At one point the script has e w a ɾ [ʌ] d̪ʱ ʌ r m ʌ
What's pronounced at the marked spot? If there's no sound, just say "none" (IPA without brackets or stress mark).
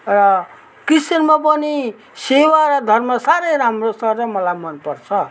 ʌ